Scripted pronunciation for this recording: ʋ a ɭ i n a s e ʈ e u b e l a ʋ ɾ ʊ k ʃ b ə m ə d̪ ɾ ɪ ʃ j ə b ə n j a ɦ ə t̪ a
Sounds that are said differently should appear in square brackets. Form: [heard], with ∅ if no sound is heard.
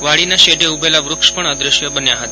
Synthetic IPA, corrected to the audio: ʋ a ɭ i n a [ʃ] e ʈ e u b e l a ʋ ɾ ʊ k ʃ [p] ə [ɳ] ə d̪ ɾ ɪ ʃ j ə b ə n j a ɦ ə t̪ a